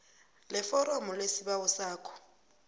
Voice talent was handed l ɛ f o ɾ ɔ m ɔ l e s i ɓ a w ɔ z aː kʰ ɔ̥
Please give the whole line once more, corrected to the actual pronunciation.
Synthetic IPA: l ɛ f ɔ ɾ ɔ m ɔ l e s i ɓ a w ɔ s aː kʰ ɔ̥